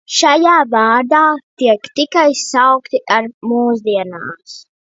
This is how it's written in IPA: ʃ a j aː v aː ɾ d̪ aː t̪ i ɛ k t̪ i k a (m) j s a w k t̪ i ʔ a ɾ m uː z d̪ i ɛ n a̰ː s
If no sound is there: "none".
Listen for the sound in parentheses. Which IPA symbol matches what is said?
none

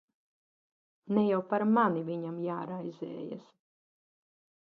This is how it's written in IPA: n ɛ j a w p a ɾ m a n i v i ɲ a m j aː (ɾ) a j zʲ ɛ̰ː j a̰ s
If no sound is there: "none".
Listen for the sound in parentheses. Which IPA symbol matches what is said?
ɾ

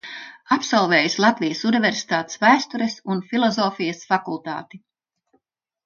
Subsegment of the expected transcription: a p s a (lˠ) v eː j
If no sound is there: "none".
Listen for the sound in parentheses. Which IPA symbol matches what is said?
lˠ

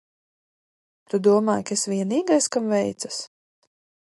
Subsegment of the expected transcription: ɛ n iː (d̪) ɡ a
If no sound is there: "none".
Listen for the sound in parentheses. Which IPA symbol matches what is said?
none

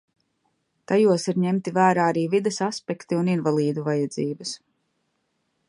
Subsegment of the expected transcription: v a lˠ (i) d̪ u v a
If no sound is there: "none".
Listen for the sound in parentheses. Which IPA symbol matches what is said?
iː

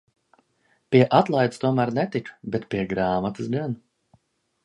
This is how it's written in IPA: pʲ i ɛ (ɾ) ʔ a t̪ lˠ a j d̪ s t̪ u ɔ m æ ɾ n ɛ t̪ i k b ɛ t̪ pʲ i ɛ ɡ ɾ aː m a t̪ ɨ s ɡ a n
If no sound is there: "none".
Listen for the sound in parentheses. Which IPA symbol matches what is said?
none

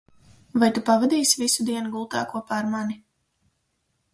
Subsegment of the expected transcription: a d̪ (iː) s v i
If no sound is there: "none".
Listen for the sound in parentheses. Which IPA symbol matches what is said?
iː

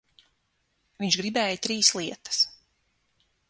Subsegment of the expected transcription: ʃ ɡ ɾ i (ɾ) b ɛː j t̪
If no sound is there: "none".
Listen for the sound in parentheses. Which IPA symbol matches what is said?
none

